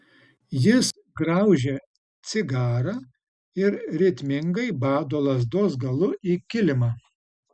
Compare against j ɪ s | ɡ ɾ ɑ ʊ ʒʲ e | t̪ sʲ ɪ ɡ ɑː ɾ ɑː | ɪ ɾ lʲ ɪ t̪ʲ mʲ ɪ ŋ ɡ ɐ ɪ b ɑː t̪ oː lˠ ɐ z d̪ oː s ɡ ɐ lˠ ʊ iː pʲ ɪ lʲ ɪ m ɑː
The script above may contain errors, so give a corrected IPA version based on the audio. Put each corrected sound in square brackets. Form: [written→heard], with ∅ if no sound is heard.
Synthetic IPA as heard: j ɪ s | ɡ ɾ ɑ ʊ ʒʲ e | t̪ sʲ ɪ ɡ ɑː ɾ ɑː | ɪ ɾ [lʲ→ɾʲ] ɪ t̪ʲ mʲ ɪ ŋ ɡ ɐ ɪ b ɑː [t̪→d̪] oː lˠ ɐ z d̪ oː s ɡ ɐ lˠ ʊ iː [pʲ→kʲ] ɪ lʲ ɪ m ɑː